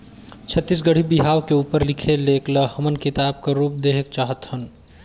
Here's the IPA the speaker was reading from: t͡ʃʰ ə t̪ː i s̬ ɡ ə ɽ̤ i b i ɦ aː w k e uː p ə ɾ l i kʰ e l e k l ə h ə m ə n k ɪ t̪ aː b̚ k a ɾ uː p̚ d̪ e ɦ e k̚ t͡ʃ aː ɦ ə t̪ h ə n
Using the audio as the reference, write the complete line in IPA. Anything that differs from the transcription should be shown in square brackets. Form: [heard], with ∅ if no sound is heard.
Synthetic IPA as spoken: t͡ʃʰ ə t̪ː i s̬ ɡ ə ɽ̤ i b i ɦ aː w k e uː p ə ɾ l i kʰ e l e k l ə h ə m ə n k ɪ t̪ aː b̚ k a ɾ uː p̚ d̪ e ɦ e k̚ t͡ʃ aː ɦ ə t̪ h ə n